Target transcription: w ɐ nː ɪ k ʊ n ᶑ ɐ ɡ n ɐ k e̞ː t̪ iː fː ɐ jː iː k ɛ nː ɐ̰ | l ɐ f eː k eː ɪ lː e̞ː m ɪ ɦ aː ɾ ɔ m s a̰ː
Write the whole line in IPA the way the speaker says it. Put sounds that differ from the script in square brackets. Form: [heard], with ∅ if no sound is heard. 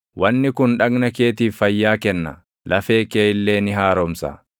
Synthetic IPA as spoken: w ɐ nː ɪ k ʊ n ᶑ ɐ ɡ n ɐ k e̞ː t̪ iː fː ɐ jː [aː] k ɛ nː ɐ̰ | l ɐ f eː k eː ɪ lː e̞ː [n] ɪ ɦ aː ɾ ɔ m s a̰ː